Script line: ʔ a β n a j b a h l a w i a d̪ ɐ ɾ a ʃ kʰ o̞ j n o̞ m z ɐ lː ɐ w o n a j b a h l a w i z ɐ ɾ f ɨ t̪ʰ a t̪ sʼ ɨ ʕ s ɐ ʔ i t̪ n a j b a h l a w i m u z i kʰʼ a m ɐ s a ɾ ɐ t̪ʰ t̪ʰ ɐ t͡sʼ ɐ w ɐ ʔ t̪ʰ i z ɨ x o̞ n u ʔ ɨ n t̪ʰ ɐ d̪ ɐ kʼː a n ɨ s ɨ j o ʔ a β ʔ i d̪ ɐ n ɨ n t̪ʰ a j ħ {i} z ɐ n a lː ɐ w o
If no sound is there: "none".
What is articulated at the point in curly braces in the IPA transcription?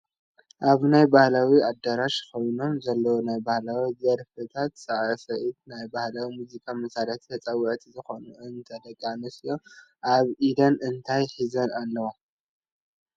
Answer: i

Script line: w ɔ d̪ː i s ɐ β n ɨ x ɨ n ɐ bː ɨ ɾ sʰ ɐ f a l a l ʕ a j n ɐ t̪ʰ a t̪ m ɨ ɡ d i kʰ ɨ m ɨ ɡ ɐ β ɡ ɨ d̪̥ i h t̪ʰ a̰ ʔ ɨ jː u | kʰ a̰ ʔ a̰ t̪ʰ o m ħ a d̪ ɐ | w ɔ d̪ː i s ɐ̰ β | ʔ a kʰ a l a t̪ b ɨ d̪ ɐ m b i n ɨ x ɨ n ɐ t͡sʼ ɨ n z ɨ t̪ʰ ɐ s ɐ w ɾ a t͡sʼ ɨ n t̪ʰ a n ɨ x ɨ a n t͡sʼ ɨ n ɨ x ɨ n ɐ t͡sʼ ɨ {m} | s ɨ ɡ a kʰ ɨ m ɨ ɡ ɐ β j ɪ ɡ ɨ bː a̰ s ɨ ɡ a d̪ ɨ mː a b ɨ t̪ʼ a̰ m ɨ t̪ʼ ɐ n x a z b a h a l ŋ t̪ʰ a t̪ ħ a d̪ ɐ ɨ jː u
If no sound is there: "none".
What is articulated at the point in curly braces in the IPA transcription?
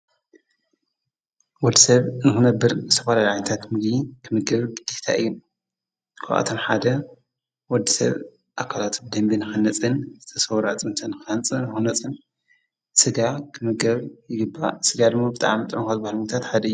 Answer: n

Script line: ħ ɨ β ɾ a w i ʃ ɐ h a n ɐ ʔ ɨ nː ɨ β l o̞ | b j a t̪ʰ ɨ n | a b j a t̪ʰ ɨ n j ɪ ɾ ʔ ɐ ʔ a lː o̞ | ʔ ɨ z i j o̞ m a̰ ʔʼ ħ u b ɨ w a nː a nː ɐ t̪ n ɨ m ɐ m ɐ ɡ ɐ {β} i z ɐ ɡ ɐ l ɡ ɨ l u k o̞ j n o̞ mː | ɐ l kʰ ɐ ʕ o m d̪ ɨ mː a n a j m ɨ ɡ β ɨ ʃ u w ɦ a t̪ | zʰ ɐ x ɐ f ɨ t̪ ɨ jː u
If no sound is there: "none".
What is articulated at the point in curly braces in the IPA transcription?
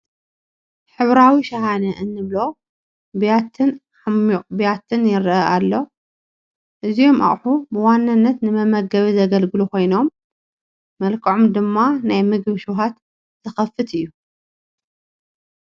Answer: β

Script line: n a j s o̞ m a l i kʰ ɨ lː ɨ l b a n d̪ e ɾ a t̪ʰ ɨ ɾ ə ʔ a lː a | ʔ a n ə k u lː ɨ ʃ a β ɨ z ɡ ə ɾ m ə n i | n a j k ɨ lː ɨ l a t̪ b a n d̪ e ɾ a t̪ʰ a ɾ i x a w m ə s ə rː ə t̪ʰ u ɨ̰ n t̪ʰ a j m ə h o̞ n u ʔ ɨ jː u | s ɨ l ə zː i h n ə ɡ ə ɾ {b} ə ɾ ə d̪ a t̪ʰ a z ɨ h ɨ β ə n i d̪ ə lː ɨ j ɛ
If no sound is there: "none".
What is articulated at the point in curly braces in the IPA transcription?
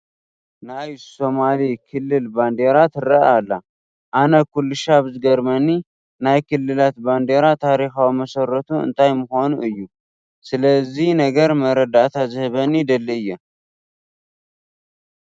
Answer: m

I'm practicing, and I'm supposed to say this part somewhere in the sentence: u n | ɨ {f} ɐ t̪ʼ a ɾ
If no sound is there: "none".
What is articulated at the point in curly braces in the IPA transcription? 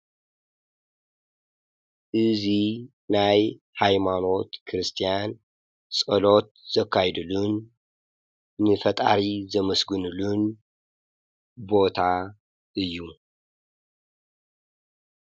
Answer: f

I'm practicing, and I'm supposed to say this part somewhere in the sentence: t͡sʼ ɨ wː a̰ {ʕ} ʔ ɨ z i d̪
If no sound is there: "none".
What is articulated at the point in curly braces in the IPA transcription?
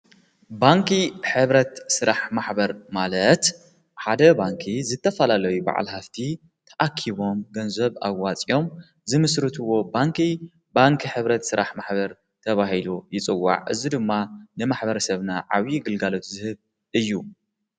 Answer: ʕ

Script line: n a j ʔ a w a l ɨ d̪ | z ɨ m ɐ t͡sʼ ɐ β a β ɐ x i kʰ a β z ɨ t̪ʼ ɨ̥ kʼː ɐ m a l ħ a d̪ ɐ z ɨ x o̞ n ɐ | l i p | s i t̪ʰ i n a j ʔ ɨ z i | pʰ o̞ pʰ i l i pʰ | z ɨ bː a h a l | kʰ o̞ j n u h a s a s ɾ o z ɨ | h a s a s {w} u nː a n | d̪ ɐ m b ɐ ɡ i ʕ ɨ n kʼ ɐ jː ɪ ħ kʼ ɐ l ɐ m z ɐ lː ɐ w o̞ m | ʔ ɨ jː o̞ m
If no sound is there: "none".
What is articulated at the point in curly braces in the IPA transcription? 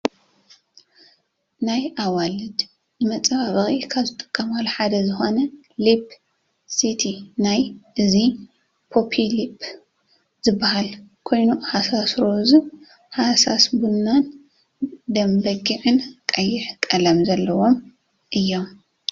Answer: b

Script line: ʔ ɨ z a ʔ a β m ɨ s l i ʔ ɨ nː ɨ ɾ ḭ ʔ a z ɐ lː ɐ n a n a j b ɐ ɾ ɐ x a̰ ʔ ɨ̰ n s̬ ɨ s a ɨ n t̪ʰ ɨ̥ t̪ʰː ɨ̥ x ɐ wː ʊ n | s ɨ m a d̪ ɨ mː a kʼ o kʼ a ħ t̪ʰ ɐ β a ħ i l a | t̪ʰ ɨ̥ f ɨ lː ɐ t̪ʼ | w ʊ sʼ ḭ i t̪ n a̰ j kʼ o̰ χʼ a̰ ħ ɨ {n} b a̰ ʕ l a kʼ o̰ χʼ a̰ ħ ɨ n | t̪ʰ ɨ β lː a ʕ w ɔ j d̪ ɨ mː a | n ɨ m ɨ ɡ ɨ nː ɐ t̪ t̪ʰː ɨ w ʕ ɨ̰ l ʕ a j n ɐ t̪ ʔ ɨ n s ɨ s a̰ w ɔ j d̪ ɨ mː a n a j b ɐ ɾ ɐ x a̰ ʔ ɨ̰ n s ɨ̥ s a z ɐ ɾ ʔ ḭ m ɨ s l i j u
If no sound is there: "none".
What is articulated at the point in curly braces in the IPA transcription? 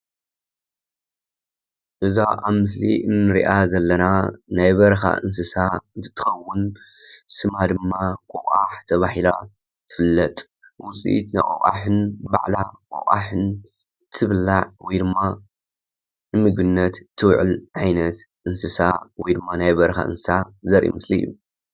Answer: n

